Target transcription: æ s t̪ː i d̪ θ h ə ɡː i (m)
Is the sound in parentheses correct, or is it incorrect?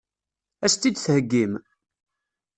correct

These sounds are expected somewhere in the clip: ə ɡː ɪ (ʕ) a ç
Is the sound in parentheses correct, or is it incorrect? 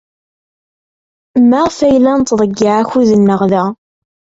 correct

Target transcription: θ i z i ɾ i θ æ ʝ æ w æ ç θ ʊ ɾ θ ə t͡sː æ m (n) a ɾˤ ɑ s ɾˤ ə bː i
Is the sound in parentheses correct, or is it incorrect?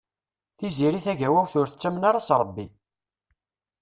correct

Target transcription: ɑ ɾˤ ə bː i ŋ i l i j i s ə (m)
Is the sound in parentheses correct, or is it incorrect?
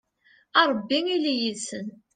incorrect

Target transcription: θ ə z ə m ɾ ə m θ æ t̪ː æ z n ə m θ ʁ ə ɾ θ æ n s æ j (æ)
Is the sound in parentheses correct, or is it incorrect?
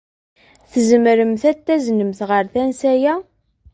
correct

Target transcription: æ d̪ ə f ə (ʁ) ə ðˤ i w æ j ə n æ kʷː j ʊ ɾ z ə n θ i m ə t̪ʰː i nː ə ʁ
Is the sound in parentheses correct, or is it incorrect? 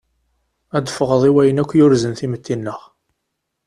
correct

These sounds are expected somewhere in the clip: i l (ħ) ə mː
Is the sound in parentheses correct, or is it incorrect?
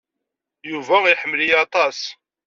correct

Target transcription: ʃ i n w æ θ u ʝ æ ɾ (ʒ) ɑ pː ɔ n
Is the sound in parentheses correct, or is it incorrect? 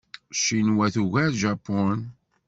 correct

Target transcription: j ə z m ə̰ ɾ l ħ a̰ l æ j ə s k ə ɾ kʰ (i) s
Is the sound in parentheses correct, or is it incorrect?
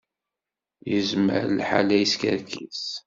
correct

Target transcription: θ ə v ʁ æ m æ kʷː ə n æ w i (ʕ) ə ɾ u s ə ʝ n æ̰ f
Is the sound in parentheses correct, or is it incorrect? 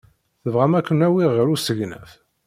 incorrect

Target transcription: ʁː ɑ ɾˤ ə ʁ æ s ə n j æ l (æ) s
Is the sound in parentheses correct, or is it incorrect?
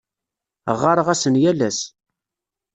correct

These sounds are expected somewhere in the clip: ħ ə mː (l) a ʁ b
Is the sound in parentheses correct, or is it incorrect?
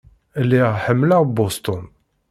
correct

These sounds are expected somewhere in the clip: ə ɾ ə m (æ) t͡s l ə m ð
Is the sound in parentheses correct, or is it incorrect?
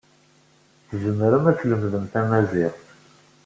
correct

